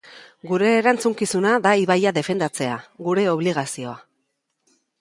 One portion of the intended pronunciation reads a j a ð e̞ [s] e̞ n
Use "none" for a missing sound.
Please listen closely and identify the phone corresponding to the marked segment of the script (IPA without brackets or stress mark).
f